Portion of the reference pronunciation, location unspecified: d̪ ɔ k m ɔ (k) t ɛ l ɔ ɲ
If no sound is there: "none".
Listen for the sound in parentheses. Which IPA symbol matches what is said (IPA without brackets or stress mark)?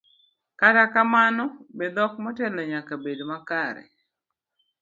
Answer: none